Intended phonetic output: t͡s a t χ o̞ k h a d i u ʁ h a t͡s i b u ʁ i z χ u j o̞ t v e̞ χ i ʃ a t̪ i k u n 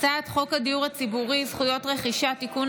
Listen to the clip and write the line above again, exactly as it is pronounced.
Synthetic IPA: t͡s a t χ o̞ k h a d i u ʁ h a t͡s i b u ʁ i z χ u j o̞ t ʁ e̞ χ i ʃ a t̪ i k u n